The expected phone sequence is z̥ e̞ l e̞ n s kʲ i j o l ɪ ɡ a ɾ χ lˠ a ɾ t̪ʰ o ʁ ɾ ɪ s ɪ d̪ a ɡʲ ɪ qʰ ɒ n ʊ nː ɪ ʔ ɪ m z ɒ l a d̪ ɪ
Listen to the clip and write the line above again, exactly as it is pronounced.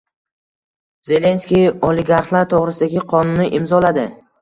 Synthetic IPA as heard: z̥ e̞ l e̞ n s kʲ i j o l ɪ ɡ a ɾ χ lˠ a ɾ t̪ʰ o ʁ ɾ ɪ s ɪ d̪ a ɡʲ ɪ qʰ ɒ n ʊ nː ɪ ʔ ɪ m z ɒ l a d̪ ɪ